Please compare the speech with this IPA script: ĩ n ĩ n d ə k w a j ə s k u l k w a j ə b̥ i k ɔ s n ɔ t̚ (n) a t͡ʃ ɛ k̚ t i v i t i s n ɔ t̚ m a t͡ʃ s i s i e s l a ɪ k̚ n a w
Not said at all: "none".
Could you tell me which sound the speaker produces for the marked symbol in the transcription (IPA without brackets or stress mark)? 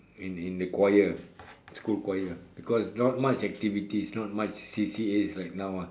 m